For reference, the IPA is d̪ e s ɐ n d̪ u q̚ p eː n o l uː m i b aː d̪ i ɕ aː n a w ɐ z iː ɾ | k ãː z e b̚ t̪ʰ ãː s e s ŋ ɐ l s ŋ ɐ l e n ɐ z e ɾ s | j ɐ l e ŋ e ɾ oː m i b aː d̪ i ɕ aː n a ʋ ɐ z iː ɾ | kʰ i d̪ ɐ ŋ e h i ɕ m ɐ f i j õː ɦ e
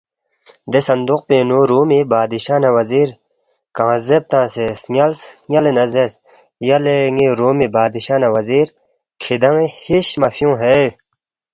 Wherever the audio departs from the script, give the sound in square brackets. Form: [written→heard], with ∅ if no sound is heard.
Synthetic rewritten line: d̪ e s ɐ n d̪ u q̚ p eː n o [l→ɾ] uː m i b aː d̪ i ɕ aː n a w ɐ z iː ɾ | k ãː z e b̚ [t̪ʰ→t̪] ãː s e s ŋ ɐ l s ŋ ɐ l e n ɐ z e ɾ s | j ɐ l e ŋ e ɾ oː m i b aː d̪ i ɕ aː n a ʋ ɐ z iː ɾ | kʰ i d̪ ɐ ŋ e h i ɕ m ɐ f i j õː ɦ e